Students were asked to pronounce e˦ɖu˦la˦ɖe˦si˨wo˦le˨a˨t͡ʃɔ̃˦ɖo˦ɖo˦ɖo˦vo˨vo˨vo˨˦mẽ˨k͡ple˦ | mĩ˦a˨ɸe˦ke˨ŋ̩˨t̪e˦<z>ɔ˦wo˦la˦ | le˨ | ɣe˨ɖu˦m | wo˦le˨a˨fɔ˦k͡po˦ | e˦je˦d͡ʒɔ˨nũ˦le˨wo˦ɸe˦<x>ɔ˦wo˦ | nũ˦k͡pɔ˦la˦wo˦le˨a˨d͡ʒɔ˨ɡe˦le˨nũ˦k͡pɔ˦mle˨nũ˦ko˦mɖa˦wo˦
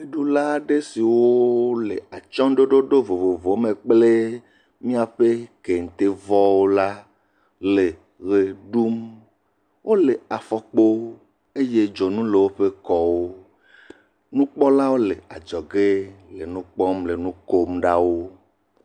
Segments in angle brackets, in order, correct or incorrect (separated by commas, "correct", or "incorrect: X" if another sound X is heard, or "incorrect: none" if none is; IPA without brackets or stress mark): incorrect: v, incorrect: k